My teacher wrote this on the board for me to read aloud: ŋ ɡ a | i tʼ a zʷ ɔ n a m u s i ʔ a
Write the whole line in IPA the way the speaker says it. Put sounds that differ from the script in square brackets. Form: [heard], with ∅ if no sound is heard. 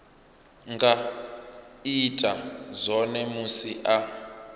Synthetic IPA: ŋ ɡ a | i tʼ a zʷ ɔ n [ɛ] m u s i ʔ a